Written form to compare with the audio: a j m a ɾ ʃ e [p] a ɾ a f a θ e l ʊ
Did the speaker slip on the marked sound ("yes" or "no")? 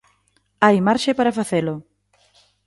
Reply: no